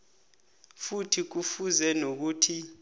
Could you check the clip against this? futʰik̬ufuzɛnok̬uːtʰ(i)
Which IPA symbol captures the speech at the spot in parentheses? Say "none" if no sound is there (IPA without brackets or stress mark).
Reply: i